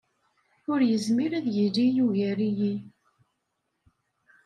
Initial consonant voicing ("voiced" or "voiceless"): voiced